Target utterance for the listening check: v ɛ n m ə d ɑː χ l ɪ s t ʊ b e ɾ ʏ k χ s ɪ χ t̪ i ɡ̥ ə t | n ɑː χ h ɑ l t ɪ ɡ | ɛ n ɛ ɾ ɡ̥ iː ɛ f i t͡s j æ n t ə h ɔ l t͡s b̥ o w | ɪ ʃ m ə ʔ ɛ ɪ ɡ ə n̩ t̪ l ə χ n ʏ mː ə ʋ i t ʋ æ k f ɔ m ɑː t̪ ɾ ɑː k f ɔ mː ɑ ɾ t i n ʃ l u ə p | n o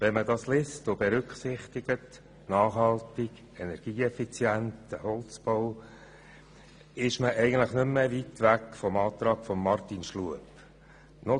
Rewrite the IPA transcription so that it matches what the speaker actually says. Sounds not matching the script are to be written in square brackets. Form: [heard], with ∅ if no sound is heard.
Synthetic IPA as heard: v ɛ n m ə d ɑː [s] l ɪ s t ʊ b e ɾ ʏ k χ s ɪ χ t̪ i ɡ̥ ə t | n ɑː χ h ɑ l t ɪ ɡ | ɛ n ɛ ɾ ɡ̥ iː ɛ f i t͡s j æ n t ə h ɔ l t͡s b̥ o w | ɪ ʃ m ə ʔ ɛ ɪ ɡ ə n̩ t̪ l ə χ n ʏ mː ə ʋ i t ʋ æ k f ɔ m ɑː t̪ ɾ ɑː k f ɔ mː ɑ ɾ t i n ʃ l u ə p | n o

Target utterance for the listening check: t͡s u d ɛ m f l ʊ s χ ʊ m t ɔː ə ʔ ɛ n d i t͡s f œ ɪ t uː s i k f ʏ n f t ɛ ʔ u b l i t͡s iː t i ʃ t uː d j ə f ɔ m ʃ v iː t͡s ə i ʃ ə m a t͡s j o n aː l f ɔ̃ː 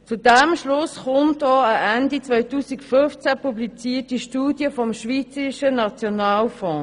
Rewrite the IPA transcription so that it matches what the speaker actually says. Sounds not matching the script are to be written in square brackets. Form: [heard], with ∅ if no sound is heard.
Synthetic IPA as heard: t͡s u d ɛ m [ʃ] l ʊ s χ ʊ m t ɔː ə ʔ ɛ n d i t͡s [v] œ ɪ t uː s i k f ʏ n f [t͡s] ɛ [p] u b l i t͡s iː t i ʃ t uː d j ə f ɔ m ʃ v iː t͡s ə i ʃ ə [n] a t͡s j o n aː l f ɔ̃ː

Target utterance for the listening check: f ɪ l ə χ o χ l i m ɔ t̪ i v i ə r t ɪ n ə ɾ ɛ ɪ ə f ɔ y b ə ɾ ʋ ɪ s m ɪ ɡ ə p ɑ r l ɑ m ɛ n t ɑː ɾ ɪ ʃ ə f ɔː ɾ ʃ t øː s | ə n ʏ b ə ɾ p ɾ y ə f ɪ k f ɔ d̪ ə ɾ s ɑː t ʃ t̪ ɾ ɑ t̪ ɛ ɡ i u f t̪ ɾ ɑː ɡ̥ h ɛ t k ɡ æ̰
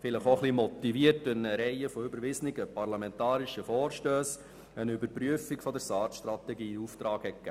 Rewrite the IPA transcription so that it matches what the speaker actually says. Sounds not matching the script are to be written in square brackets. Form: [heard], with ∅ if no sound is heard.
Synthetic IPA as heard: f ɪ l ə χ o χ l i m ɔ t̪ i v i ə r t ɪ n ə ɾ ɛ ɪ ə f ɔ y b ə ɾ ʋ ɪ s [n] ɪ ɡ ə p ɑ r l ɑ m ɛ n t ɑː ɾ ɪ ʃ ə f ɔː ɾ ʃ t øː s | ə n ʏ b ə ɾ p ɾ y ə f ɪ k f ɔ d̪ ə ɾ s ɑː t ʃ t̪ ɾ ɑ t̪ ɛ ɡ [iː] u f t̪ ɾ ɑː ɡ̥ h ɛ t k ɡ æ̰

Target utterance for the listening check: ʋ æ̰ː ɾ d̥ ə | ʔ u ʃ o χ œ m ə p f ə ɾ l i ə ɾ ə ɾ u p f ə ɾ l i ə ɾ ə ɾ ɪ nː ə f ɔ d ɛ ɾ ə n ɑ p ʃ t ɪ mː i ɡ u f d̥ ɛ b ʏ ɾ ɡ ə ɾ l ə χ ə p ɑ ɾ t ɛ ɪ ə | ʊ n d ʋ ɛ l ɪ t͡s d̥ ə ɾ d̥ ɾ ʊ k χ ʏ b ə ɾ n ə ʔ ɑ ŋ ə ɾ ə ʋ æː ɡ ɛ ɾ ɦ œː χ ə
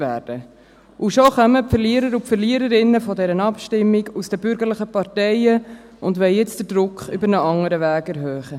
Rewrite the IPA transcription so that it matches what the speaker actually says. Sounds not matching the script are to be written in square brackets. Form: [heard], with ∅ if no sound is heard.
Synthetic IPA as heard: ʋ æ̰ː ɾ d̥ ə | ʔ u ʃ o χ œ m ə p f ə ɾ l i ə ɾ ə ɾ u p f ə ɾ l i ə ɾ ə ɾ ɪ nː ə f ɔ d ɛ ɾ ə n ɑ p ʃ t ɪ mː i ɡ u [s] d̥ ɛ b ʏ ɾ ɡ ə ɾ l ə χ ə p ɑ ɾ t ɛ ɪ ə | ʊ n d ʋ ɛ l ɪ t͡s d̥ ə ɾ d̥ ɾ ʊ k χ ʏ b ə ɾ n ə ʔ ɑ ŋ ə ɾ ə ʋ æː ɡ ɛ ɾ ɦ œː χ ə

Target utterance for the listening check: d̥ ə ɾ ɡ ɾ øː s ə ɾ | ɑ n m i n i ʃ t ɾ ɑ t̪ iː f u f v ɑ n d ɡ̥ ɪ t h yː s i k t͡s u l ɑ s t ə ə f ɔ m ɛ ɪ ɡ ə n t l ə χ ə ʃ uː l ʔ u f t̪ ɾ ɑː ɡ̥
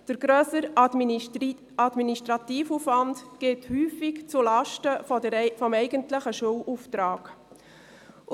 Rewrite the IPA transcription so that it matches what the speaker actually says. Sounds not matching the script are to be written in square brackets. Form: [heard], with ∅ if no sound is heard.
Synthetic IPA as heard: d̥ ə ɾ ɡ ɾ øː s ə ɾ | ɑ [d] m i n i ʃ t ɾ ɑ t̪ iː f u f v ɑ n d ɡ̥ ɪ t h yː [f] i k t͡s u l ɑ [ʃ] t ə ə f ɔ m ɛ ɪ ɡ ə n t l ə χ ə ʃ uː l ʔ u f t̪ ɾ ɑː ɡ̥

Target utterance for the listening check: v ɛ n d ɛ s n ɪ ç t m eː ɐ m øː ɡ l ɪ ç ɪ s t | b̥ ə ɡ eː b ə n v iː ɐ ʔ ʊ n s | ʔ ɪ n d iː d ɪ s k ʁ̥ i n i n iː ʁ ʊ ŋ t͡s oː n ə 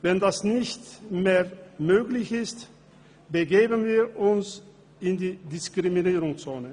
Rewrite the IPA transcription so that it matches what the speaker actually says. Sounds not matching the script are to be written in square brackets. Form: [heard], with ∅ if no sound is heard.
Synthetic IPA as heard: v ɛ n d [a] s n ɪ ç t m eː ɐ m øː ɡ l ɪ ç ɪ s t | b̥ ə ɡ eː b ə n v iː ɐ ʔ ʊ n s | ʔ ɪ n d iː d ɪ s k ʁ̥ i [m] i n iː ʁ ʊ ŋ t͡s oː n ə

